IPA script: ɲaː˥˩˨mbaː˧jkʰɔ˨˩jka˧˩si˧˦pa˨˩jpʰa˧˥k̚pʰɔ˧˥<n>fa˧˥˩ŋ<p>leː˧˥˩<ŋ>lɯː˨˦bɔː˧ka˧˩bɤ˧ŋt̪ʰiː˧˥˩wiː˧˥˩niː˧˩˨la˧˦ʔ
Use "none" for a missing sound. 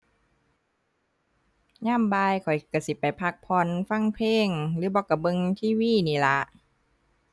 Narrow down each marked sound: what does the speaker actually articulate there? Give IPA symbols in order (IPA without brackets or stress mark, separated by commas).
n, pʰ, ŋ